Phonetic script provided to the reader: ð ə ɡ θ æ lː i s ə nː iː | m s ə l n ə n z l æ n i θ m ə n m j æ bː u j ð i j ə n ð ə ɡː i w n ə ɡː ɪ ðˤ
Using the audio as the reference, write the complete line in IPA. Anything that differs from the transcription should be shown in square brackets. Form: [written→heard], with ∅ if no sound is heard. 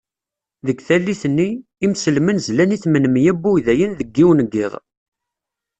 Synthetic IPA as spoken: ð ə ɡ θ æ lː i [s→θ] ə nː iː | m s ə l [n→m] ə n z l æ n i θ m ə n m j æ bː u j ð [i→æ] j ə n ð ə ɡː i w n ə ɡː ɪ ðˤ